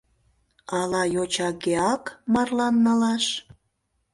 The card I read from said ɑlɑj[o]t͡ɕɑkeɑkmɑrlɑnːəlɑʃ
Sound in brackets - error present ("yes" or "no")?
no